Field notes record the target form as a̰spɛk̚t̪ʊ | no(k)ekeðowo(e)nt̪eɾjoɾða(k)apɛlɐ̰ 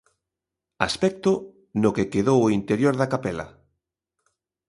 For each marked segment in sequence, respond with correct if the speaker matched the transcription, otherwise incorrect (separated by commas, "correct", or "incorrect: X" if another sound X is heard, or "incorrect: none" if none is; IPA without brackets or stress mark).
correct, incorrect: i, correct